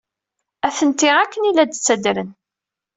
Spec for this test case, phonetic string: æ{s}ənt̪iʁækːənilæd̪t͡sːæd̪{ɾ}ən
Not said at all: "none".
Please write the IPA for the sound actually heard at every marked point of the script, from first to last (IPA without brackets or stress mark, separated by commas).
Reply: θ, ɾ